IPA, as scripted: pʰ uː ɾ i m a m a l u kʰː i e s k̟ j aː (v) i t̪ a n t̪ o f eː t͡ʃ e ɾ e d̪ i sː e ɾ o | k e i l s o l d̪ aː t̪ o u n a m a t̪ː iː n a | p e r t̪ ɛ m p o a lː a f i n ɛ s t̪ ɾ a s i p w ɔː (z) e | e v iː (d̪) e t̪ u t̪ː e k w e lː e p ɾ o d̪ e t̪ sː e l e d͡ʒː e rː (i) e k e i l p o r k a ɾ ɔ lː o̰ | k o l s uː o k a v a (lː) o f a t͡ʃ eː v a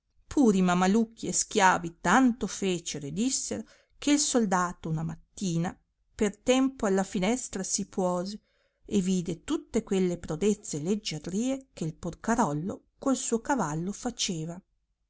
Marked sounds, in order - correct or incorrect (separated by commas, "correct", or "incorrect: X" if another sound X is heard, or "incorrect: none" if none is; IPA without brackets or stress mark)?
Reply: correct, correct, correct, incorrect: iː, correct